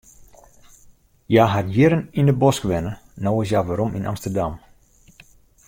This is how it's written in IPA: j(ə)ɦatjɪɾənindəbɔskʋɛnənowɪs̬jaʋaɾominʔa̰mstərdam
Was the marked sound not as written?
yes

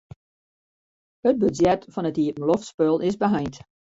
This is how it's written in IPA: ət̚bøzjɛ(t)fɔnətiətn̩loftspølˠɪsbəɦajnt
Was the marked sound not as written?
no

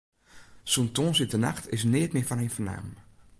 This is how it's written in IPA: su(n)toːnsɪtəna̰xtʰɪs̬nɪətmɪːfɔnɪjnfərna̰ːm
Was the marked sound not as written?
no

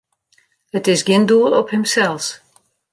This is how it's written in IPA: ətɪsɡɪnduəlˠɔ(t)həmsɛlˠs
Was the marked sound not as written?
yes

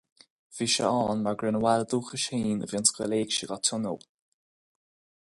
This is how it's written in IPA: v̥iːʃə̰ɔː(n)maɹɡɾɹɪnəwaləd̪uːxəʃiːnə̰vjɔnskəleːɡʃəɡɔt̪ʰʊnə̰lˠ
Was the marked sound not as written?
no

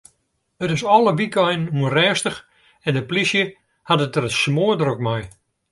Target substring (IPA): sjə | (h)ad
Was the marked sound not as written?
no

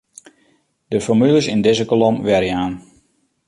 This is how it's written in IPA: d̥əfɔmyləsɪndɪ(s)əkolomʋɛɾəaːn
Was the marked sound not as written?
yes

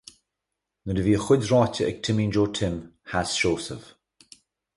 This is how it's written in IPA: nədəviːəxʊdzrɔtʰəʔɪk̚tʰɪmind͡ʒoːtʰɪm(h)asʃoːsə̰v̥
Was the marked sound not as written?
no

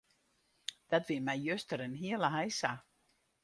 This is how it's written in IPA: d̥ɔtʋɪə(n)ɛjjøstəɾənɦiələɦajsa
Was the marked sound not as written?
yes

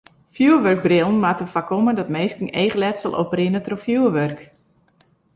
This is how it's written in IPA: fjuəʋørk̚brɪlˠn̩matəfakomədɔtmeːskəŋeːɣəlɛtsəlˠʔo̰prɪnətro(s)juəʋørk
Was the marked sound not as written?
yes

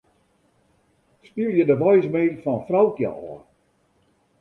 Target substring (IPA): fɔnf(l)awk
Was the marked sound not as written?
yes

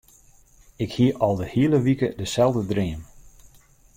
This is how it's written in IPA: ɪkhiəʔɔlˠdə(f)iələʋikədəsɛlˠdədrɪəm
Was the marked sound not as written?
yes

